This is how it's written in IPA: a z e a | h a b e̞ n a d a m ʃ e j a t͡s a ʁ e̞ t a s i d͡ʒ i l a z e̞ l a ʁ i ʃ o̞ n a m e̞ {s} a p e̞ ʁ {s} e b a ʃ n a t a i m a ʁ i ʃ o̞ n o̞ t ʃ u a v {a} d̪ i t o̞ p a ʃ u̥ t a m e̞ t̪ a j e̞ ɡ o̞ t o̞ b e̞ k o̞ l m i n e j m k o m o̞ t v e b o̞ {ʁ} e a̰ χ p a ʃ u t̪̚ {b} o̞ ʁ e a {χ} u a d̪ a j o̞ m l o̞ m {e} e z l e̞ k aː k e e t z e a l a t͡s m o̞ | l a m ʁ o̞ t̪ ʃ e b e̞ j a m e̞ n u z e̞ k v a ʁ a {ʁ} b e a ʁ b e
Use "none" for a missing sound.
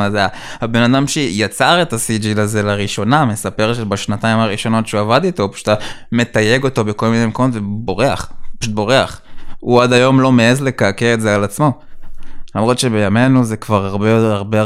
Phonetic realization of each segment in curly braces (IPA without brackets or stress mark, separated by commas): s, ʃ, a, ʁ, b, χ, e, ʁ